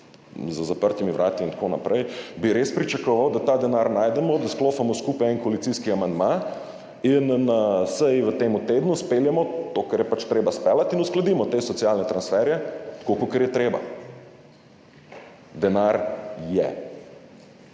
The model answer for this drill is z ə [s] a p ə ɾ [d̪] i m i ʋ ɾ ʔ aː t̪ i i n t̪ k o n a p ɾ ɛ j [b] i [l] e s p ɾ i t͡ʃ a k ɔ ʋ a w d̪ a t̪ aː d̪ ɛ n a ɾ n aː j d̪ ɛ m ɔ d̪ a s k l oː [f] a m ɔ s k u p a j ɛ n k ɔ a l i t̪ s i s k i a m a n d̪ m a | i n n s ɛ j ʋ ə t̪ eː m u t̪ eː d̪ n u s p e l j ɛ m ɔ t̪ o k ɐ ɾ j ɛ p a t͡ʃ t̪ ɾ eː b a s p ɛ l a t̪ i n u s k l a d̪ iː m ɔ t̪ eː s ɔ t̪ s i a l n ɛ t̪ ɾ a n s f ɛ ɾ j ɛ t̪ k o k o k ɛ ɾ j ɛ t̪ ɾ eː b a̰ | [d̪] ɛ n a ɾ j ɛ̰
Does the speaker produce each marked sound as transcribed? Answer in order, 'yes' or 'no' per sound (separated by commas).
no, no, yes, no, yes, yes